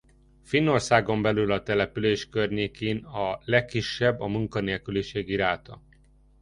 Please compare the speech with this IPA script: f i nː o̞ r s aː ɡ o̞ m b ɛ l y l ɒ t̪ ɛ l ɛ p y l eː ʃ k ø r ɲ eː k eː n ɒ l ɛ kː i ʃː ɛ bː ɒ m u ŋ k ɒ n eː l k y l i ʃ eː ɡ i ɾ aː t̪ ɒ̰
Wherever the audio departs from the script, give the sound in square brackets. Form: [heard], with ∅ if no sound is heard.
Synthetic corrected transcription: f i nː o̞ r s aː ɡ o̞ m b ɛ l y l ɒ t̪ ɛ l ɛ p y l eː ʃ k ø r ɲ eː k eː n ɒ l ɛ kː i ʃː ɛ bː ɒ m u ŋ k ɒ n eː l k y l i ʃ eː ɡ i ɾ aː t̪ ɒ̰